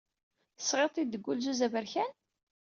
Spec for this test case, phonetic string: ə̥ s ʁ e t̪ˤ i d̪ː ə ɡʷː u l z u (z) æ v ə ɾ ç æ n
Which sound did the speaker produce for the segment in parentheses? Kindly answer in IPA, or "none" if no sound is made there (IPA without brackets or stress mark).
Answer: z